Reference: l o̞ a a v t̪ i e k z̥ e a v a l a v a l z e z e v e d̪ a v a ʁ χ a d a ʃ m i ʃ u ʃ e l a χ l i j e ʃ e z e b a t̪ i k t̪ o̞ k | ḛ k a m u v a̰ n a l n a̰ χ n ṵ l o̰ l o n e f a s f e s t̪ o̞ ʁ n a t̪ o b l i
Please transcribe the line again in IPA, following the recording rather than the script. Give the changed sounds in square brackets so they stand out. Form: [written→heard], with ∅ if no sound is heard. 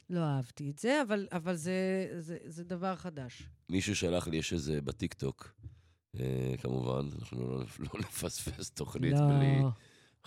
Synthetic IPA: l o̞ a a v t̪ i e [k→t] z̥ e a v a l a v a l z e z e [v→z] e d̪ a v a ʁ χ a d a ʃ m i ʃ u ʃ [e→a] l a χ l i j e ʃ e z e b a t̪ i k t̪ o̞ k | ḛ k a m u v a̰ n a [l→∅] n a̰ χ n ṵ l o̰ l o n e f a s f e s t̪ o̞ [ʁ→χ] n [a→i] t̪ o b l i